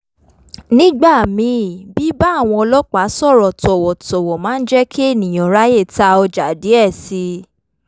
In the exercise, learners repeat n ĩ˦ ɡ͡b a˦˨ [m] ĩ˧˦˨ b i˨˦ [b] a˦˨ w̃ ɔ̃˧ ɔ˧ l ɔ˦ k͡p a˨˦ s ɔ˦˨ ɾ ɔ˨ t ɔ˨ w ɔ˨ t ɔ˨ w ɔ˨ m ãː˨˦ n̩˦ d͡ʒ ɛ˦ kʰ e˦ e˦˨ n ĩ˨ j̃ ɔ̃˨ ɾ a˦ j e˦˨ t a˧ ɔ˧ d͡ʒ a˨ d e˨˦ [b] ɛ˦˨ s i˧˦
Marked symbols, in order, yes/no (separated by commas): yes, yes, no